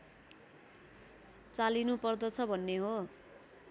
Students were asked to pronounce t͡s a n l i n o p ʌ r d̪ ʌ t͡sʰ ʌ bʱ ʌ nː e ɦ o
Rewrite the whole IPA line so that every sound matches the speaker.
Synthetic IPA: t͡s a l i n u p ʌ r d̪ ʌ t͡sʰ ʌ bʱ ʌ nː e ɦ o